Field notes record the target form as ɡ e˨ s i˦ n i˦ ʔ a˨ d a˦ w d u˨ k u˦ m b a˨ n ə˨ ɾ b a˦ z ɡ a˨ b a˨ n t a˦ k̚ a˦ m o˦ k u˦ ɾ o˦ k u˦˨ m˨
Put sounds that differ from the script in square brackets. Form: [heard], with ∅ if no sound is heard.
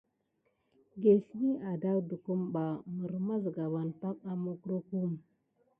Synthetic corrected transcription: ɡ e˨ s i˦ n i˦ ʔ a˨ d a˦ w d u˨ k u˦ m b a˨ [m] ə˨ ɾ [m] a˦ z ɡ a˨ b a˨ n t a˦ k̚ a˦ m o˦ k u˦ ɾ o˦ k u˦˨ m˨